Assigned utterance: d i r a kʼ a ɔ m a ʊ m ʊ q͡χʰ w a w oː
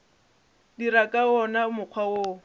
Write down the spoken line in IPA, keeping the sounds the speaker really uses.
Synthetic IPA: d i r a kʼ a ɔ n a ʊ m ʊ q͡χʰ w a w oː